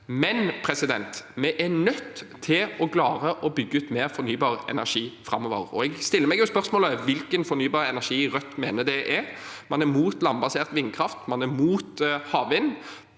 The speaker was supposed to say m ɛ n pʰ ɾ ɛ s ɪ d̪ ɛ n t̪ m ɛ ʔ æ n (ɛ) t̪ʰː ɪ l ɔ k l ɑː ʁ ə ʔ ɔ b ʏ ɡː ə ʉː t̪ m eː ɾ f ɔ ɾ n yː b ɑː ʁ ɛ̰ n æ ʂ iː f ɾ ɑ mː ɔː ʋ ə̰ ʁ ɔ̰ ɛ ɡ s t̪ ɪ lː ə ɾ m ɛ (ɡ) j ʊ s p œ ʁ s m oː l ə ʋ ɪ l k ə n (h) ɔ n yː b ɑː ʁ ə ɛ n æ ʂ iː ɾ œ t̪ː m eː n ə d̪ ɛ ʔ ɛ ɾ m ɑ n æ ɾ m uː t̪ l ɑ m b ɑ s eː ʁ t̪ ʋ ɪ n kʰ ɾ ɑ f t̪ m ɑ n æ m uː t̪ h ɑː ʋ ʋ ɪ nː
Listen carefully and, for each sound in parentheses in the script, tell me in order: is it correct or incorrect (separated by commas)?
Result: incorrect, correct, incorrect